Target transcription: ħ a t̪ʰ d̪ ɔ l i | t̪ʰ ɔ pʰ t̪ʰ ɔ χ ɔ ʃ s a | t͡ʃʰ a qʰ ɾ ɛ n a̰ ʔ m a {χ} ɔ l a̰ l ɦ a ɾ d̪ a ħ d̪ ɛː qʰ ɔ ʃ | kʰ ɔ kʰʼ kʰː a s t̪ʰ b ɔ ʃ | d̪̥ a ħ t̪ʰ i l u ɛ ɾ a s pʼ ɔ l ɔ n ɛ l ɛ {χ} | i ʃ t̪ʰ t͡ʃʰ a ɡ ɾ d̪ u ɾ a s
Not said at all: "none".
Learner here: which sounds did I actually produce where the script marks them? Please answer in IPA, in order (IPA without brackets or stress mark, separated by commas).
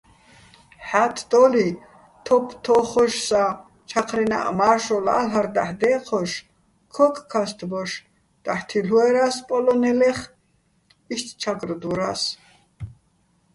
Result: ʃ, χ